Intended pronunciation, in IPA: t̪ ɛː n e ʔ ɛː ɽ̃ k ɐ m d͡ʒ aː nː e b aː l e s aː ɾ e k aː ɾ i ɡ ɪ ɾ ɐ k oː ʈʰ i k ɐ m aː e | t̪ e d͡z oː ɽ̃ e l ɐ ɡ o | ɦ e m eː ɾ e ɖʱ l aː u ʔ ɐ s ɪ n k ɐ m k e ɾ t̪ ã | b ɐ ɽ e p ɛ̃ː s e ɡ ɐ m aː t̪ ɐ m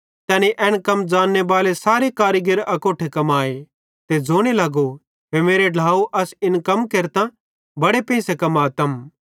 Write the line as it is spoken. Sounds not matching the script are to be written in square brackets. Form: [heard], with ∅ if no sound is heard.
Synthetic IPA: t̪ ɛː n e ʔ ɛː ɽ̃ k ɐ m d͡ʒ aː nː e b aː l e s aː ɾ e k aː ɾ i ɡ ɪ ɾ ɐ k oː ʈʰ [e] k ɐ m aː e | t̪ e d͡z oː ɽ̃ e l ɐ ɡ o | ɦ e m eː ɾ e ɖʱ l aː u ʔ ɐ s ɪ n k ɐ m k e ɾ t̪ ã | b ɐ ɽ e p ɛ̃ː s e [k] ɐ m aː t̪ ɐ m